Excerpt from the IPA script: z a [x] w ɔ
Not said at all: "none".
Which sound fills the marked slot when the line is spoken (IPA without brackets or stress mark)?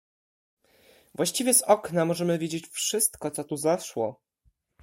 ʂ